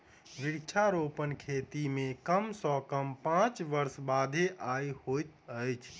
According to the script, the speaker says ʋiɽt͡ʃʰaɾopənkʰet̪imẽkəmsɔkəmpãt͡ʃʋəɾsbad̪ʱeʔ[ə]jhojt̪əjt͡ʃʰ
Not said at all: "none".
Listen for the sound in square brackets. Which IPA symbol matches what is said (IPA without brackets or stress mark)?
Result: a